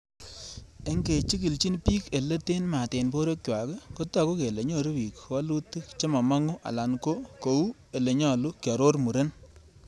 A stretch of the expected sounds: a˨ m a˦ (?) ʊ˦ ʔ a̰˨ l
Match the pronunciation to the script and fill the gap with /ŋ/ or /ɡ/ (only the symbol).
ŋ